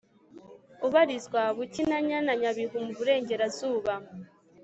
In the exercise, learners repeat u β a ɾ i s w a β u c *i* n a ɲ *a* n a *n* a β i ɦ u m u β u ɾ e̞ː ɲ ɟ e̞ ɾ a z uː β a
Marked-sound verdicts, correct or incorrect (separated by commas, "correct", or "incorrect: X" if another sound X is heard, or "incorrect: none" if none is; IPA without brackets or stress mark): correct, correct, incorrect: ɲ